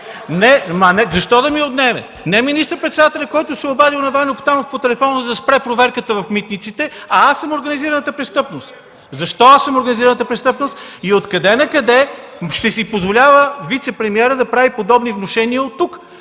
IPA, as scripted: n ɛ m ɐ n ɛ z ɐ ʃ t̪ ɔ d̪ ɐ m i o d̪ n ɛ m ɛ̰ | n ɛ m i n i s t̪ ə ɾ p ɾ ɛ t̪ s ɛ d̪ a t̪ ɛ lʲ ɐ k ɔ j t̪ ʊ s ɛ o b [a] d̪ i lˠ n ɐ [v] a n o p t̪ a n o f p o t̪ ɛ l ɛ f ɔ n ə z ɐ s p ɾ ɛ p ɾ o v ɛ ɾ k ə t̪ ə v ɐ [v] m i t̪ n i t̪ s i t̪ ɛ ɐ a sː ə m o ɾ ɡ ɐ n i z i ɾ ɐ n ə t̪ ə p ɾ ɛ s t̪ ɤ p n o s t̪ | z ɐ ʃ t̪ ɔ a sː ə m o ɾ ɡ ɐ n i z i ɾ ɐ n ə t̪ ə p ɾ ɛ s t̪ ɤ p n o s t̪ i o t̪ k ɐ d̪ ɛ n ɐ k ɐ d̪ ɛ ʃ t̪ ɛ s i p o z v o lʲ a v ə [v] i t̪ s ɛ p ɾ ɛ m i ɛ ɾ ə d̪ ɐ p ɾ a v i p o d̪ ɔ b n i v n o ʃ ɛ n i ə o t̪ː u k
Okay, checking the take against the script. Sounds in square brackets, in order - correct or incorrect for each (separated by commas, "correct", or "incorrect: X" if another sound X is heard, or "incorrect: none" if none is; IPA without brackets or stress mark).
correct, correct, incorrect: f, correct